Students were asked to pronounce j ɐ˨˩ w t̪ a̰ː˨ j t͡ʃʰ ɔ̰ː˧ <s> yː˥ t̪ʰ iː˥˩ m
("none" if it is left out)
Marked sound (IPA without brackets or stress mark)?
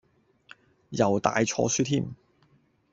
s